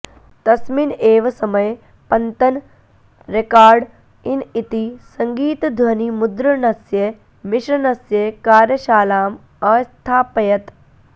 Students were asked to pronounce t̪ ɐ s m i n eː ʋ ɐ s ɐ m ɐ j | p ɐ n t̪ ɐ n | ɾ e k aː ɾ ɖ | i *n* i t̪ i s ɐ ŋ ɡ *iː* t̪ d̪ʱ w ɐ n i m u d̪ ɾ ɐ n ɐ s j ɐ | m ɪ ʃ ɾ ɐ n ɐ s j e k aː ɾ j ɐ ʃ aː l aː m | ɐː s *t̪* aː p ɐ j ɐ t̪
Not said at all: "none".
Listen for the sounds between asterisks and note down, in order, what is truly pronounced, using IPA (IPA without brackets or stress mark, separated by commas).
n, iː, t̪ʰ